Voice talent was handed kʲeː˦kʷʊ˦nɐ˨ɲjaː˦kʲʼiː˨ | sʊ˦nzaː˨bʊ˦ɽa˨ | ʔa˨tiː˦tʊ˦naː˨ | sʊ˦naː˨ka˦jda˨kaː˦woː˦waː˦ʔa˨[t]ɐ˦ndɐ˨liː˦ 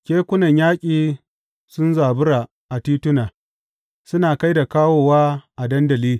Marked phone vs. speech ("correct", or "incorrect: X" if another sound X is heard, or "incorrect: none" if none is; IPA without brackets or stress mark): incorrect: d